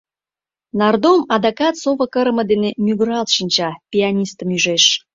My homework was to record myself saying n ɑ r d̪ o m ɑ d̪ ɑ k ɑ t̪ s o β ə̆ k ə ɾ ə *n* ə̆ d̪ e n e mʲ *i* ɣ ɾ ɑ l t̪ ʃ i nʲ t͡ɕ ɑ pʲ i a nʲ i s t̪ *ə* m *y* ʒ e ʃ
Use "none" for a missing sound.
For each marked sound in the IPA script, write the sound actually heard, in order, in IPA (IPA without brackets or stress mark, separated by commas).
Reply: m, y, ə, y